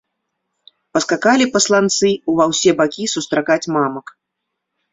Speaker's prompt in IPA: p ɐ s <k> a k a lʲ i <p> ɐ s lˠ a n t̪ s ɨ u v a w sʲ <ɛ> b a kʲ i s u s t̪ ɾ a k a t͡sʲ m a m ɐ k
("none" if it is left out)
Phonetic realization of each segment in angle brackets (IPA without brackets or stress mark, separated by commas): k, p, ɛ